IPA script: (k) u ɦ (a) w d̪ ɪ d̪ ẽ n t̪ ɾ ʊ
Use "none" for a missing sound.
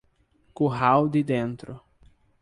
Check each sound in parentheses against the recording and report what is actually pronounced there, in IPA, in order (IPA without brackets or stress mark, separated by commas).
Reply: k, a